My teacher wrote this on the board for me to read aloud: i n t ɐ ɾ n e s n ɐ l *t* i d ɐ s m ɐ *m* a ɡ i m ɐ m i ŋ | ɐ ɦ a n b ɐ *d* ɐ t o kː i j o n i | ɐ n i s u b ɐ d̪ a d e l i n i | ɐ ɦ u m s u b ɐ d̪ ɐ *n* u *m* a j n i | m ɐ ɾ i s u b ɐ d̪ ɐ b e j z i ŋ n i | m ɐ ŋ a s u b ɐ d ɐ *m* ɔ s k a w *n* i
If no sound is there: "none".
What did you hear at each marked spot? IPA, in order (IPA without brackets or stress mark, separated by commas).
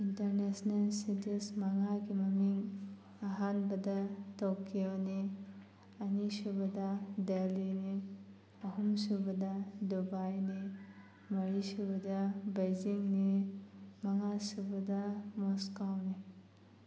s, ŋ, d, d, b, m, n